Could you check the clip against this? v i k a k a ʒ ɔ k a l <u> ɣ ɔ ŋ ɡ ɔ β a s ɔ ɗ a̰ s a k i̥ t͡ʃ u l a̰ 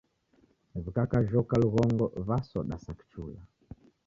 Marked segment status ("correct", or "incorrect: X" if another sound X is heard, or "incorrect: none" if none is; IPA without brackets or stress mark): correct